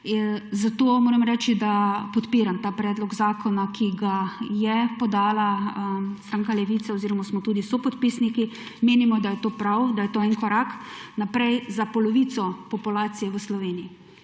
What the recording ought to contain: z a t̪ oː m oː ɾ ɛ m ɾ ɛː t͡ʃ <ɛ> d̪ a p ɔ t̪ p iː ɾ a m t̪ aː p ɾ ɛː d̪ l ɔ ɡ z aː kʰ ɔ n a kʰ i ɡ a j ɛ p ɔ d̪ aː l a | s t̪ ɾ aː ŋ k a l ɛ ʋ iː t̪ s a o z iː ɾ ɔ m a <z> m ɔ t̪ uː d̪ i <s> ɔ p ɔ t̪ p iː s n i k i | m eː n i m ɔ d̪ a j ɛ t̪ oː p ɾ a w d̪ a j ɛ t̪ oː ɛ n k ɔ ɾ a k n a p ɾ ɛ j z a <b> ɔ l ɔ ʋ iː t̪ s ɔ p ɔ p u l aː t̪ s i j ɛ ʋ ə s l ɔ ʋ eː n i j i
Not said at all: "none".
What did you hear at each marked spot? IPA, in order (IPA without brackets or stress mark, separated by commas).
i, s, s, p